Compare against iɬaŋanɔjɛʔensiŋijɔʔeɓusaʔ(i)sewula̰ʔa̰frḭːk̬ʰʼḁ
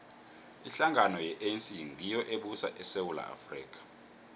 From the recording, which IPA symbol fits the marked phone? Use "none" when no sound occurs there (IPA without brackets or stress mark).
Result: ɛ